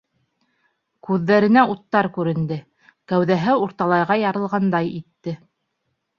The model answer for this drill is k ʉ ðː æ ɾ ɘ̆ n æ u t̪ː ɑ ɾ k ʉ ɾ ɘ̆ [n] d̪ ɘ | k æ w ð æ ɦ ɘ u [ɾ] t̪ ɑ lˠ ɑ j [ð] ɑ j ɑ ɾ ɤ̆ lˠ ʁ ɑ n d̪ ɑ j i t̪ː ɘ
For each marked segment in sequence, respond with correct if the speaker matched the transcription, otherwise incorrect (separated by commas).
correct, correct, incorrect